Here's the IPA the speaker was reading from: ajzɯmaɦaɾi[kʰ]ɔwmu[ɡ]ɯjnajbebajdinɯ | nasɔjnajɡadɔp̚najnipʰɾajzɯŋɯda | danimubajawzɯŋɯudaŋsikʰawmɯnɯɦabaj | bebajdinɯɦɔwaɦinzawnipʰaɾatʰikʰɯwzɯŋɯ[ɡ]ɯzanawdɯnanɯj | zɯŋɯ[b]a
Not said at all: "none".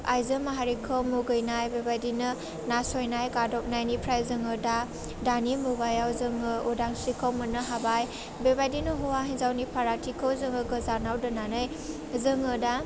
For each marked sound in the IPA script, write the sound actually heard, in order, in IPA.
kʰ, ɡ, ɡ, d

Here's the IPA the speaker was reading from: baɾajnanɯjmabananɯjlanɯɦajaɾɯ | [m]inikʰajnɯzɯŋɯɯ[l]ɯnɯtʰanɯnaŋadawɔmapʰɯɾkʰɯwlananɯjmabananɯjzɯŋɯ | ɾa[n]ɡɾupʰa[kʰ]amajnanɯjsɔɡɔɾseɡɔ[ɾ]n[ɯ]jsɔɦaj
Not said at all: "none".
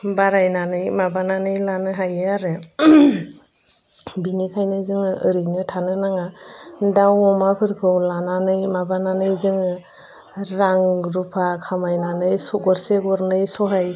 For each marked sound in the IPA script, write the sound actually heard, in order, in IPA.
b, ɾ, ŋ, kʰ, ɾ, ɯ

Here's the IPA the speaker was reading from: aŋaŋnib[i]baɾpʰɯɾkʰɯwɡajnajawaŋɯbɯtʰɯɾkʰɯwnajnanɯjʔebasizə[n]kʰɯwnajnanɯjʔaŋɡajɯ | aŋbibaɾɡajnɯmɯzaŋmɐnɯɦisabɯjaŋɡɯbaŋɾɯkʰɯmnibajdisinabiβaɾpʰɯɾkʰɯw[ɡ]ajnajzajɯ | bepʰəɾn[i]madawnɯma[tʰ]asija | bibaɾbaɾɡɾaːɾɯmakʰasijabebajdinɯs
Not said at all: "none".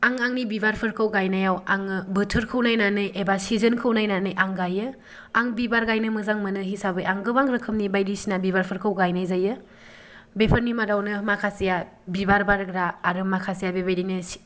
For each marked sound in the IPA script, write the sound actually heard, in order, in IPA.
i, n, ɡ, i, kʰ

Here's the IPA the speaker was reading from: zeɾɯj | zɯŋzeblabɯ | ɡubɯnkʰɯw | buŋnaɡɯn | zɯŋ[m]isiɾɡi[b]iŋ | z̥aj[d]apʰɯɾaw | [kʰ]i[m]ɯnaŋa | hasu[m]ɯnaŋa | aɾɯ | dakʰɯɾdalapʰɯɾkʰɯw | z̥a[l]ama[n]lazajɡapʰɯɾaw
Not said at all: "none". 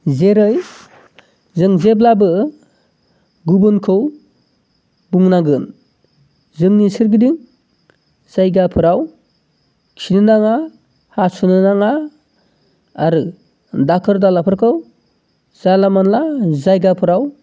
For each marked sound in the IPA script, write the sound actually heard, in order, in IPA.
n, d, ɡ, kʰ, n, n, l, n

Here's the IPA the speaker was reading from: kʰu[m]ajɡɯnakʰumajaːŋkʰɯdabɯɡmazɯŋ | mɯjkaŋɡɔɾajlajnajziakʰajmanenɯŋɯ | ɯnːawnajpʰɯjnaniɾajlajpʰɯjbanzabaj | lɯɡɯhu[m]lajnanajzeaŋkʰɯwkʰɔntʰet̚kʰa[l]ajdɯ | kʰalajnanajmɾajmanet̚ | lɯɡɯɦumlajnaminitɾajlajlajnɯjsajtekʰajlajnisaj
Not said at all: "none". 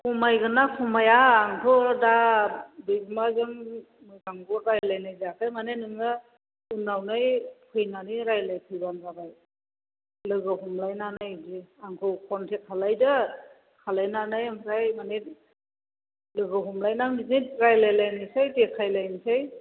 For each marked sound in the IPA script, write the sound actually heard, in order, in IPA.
m, m, l

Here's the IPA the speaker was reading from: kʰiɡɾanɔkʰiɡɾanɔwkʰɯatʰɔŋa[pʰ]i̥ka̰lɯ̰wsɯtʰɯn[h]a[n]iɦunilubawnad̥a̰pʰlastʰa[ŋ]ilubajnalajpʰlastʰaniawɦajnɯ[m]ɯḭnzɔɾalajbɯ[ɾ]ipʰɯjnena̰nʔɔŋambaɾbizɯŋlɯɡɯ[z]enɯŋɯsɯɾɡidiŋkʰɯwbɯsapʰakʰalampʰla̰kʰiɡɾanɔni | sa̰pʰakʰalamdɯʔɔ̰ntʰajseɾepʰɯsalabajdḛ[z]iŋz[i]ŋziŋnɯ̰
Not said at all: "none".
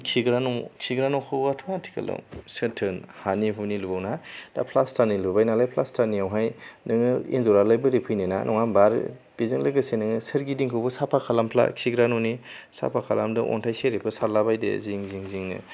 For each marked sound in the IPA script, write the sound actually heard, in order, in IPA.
tʰ, h, n, n, ŋ, ɾ, s, z, i

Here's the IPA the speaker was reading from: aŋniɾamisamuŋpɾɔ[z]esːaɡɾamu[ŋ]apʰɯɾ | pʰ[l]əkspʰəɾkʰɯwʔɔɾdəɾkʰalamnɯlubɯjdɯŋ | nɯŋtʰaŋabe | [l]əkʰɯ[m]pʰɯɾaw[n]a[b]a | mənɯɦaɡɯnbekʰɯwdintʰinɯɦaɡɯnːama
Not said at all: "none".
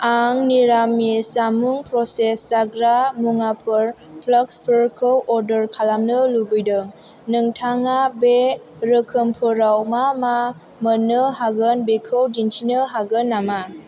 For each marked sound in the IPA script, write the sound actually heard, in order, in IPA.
s, ŋ, l, ɾ, m, m, m

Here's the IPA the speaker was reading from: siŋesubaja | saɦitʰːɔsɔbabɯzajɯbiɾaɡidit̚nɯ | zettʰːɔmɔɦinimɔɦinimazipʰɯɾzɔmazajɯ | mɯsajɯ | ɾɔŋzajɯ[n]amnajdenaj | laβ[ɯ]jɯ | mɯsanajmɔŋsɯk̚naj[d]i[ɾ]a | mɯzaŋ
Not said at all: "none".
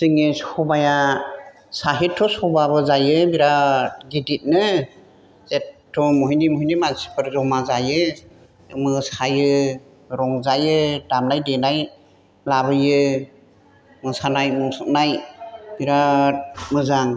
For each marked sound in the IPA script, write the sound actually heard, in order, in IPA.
d, ɯ, b, ɾ

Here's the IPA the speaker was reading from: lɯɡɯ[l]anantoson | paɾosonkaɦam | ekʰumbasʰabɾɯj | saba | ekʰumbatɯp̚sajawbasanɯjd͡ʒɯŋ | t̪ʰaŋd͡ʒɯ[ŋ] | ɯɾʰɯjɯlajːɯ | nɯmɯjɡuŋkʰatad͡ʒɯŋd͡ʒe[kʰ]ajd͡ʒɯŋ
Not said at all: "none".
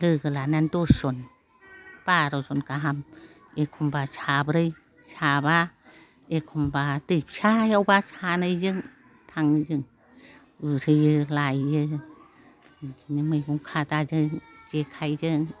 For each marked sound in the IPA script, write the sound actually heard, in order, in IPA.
l, ŋ, kʰ

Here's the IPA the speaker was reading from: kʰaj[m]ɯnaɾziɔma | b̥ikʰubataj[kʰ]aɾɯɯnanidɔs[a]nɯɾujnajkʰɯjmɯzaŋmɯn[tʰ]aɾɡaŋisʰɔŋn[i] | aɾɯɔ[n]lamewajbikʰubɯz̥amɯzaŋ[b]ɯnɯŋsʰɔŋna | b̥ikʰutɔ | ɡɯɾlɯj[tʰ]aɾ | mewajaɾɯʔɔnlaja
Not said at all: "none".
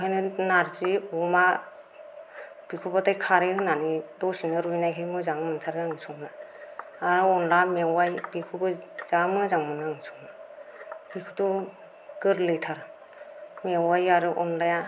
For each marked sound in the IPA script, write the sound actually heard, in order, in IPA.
n, kʰ, i, tʰ, a, n, m, tʰ

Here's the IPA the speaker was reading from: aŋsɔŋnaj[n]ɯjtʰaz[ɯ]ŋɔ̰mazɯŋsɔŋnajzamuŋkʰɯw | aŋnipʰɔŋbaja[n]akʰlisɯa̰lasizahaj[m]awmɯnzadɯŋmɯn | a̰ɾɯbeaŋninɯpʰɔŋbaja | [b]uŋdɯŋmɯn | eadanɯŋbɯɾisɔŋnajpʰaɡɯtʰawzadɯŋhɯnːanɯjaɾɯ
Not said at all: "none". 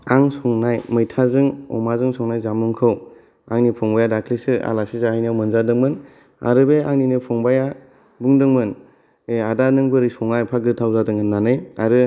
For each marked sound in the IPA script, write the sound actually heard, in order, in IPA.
m, ɯ, d, n, b

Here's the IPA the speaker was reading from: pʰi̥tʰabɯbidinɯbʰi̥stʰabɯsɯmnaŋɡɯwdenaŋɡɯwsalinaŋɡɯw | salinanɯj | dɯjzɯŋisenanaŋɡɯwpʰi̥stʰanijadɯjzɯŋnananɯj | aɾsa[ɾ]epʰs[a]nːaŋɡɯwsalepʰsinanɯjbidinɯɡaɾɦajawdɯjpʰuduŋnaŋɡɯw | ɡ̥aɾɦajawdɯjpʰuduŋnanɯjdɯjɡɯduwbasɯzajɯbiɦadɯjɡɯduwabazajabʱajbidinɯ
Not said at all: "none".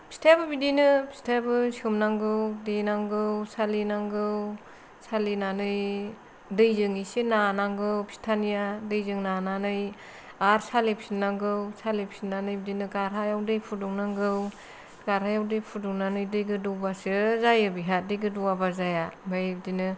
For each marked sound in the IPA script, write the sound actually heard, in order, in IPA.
l, i

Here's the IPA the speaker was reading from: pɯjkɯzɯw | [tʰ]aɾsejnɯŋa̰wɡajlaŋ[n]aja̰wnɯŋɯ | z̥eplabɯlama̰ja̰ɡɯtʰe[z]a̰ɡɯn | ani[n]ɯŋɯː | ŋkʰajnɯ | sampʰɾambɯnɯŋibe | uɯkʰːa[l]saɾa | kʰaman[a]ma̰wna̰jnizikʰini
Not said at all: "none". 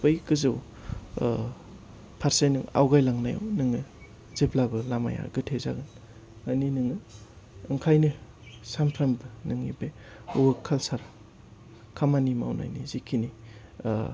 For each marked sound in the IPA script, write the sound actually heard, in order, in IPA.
pʰ, n, z, n, l, i

